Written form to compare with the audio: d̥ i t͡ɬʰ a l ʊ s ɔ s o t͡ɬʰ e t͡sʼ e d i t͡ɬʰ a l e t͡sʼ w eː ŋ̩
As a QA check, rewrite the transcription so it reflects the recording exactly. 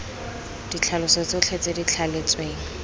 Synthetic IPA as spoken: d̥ i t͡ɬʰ a l ʊ s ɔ t͡s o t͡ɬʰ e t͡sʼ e d i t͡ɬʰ a l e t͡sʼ w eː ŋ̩